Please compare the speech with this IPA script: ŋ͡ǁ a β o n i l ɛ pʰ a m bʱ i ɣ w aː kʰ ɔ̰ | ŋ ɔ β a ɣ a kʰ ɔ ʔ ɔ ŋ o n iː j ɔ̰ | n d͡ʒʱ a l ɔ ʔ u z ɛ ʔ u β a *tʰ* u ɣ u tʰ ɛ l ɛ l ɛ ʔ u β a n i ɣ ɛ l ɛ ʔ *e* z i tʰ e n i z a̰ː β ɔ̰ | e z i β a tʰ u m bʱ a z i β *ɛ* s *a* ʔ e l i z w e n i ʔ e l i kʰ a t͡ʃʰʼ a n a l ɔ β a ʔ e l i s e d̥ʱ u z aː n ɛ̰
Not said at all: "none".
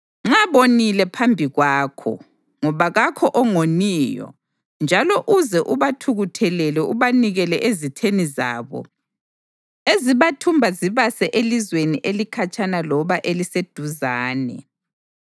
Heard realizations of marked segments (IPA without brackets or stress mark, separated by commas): tʰ, e, a, ɛ